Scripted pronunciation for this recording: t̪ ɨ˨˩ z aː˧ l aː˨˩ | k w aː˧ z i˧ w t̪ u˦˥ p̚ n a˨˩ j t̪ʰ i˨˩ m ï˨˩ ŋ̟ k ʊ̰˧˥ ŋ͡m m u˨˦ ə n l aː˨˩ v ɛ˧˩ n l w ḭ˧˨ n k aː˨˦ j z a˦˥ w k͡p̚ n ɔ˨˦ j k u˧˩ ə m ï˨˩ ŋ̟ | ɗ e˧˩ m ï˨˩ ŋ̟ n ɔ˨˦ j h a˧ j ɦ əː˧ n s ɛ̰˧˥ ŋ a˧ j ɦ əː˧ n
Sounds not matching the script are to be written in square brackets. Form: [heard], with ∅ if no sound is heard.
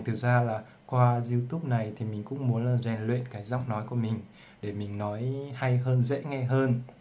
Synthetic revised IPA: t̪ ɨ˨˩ z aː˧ l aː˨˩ | k w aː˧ z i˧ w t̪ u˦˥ p̚ n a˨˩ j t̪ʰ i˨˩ m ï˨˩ ŋ̟ k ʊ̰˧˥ ŋ͡m m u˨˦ ə n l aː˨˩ [z] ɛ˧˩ n l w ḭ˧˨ n k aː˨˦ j z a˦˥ w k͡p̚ n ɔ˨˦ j k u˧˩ ə m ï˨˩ ŋ̟ | ɗ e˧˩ m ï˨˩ ŋ̟ n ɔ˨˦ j h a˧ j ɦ əː˧ n [z] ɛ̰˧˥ ŋ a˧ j ɦ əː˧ n